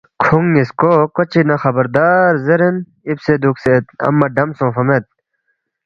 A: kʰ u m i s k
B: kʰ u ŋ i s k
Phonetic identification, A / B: B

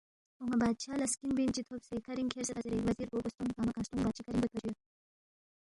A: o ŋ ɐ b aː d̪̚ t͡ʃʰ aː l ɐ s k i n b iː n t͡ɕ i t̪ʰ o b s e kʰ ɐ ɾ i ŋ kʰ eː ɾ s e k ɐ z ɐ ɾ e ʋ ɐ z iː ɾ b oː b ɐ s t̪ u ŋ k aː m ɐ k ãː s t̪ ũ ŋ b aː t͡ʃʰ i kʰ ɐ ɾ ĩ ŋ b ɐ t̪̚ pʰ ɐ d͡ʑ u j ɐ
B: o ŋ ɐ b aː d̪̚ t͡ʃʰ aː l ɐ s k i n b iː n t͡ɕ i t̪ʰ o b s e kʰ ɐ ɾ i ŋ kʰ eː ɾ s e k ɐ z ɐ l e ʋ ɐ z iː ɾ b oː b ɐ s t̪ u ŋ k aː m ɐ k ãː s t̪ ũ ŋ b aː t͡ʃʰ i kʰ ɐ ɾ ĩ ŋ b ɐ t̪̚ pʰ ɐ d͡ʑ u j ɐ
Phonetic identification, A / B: A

